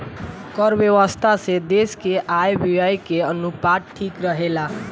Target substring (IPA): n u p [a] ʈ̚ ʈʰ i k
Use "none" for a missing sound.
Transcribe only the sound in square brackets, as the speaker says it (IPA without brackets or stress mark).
a